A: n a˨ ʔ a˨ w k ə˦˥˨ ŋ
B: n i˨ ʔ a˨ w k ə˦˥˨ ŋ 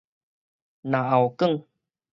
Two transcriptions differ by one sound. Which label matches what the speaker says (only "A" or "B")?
A